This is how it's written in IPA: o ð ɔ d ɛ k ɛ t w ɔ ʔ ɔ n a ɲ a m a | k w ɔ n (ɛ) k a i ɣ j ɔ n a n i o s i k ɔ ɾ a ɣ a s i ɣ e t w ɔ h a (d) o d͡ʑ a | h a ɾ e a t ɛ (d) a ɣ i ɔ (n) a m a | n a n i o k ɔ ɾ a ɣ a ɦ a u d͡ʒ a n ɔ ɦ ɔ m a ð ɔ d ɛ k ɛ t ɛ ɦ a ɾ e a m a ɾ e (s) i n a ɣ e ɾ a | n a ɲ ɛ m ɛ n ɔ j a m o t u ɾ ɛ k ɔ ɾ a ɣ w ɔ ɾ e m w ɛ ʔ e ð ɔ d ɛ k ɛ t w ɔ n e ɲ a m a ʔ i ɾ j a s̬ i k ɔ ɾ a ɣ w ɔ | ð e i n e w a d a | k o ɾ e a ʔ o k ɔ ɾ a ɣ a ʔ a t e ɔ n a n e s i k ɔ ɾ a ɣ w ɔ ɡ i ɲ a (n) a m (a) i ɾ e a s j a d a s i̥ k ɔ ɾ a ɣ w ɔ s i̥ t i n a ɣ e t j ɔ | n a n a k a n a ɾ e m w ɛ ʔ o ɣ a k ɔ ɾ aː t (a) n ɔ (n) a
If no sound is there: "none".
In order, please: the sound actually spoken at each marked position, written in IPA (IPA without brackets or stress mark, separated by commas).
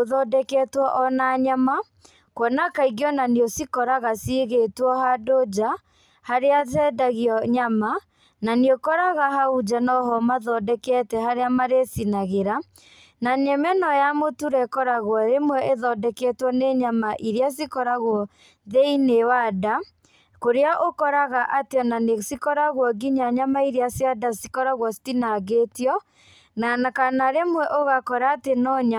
a, d, d, ɲ, s, ɲ, a, e, ɲ